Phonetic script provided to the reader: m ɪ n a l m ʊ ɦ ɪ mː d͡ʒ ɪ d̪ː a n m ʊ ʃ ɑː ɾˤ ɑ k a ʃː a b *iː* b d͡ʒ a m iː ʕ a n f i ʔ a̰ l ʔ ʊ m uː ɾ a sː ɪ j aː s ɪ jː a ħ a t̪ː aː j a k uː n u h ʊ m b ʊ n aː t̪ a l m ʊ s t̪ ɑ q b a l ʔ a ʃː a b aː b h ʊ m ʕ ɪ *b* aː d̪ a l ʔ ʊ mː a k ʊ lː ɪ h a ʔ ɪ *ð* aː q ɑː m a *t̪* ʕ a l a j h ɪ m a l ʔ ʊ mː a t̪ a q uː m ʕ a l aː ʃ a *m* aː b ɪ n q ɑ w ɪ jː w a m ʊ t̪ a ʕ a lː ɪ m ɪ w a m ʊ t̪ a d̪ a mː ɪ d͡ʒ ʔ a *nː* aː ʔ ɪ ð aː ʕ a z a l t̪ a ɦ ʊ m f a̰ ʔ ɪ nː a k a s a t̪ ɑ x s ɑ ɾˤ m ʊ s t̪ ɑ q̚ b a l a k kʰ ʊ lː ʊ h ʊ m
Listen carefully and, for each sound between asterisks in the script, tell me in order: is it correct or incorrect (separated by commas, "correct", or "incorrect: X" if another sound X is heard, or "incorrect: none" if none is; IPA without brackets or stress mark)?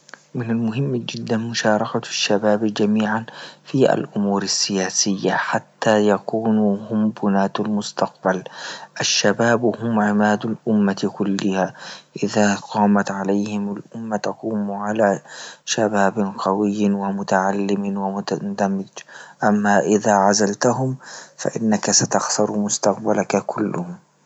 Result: incorrect: aː, incorrect: m, correct, correct, incorrect: b, incorrect: mː